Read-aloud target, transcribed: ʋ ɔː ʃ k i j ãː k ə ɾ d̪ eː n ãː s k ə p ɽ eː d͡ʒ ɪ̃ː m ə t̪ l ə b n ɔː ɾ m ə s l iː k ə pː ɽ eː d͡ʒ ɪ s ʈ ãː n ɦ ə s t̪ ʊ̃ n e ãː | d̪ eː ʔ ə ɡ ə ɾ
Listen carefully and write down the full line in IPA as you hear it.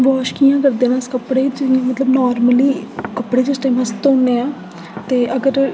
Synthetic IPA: ʋ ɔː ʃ k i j ãː k ə ɾ d̪ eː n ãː s k ə p ɽ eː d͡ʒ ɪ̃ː m ə t̪ l ə b n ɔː ɾ m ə l iː k ə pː ɽ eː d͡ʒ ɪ s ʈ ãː m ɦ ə s t̪ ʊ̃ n e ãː | t̪ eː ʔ ə ɡ ə ɾ